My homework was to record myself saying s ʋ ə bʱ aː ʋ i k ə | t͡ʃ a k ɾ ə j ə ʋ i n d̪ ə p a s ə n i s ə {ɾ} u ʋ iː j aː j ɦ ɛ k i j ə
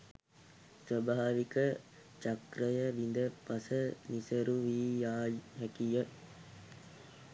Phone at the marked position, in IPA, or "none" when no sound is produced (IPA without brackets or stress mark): ɾ